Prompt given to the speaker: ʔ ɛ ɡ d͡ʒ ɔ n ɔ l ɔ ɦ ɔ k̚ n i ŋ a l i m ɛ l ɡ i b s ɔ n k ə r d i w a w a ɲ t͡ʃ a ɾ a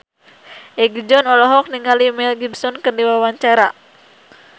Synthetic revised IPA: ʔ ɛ ɡ d͡ʒ ɔ n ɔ l ɔ ɦ ɔ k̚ n i ŋ a l i m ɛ l ɡ i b s ɔ n k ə r d i w a w a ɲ t͡ʃ a ɾ a